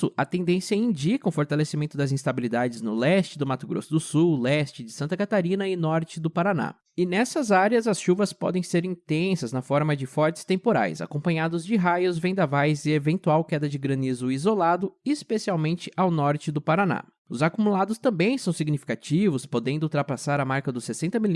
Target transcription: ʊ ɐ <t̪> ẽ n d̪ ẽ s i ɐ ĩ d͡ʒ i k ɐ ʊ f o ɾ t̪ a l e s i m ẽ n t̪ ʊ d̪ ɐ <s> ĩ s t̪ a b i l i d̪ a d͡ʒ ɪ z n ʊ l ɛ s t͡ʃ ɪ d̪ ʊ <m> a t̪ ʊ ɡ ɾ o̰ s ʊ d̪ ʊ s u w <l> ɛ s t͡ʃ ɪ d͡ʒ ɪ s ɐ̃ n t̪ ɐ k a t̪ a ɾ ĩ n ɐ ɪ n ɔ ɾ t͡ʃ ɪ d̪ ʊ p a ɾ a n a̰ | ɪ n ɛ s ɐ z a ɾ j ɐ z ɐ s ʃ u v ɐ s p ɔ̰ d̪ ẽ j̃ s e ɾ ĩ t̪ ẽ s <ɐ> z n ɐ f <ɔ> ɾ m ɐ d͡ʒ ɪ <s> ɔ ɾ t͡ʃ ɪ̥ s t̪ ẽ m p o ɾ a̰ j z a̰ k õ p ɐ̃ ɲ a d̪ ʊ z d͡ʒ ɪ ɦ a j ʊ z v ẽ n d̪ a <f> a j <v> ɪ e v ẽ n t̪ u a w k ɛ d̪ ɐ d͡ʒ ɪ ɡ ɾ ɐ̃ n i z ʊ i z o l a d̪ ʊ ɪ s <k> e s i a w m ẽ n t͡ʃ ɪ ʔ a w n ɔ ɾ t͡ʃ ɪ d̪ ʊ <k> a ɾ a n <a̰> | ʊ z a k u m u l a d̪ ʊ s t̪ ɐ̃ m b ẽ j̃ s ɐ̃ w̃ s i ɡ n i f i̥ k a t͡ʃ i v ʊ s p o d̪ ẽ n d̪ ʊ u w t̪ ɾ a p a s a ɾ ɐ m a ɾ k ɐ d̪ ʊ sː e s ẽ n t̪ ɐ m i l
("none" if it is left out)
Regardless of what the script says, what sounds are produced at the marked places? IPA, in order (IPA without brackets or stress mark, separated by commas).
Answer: t̪, z, m, l, ɐ, ɔ, f, v, z, p, p, a̰